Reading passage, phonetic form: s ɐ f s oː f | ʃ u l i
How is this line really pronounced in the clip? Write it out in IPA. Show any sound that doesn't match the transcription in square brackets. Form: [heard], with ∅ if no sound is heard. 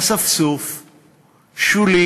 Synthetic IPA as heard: s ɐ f s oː f | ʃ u l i